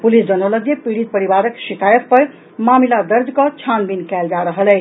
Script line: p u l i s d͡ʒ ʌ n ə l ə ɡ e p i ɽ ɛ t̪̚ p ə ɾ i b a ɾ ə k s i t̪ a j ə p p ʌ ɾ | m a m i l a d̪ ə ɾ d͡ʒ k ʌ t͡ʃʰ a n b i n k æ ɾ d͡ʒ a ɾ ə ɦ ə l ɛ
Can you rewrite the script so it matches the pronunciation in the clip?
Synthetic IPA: p u l i s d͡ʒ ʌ n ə l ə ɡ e p i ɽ i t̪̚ p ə ɾ i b a ɾ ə k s i t̪ a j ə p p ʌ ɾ | m a m i l a d̪ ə ɾ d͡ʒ k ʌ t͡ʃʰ a n b i n k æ l d͡ʒ a ɾ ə ɦ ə l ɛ